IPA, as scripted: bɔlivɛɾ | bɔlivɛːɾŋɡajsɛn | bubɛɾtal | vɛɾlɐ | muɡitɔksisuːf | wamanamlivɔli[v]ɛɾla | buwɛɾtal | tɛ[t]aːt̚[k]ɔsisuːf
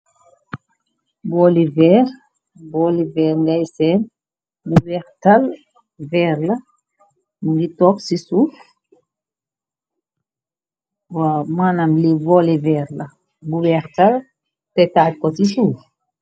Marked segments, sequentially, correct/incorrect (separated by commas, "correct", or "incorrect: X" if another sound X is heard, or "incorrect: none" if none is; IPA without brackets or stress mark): correct, correct, correct